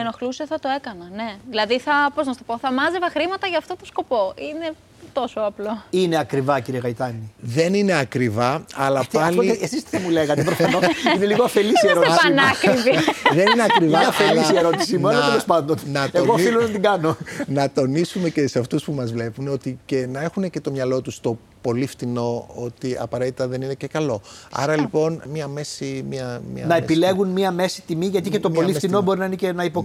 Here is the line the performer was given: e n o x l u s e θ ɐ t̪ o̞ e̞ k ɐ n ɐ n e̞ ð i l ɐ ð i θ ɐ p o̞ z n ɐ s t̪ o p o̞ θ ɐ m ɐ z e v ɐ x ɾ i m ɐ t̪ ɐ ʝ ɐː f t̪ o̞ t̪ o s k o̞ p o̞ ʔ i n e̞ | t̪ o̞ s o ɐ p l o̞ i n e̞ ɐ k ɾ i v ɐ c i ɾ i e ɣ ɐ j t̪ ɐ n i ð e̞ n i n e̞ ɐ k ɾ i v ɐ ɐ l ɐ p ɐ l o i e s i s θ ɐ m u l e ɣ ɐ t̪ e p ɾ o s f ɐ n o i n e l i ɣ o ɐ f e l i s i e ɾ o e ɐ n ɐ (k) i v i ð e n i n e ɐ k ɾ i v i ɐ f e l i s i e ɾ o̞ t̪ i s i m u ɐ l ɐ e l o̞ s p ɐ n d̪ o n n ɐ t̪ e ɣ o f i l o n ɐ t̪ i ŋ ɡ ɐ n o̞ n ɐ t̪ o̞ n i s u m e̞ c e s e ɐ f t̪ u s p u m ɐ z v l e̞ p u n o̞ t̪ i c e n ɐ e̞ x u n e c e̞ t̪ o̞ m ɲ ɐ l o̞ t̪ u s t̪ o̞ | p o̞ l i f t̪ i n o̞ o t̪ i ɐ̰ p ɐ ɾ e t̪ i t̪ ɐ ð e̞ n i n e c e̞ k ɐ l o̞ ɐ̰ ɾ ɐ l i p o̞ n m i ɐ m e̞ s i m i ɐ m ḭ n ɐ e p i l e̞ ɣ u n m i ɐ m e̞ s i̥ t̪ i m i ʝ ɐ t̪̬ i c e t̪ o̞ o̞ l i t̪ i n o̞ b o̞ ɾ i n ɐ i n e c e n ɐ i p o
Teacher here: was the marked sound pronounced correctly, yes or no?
yes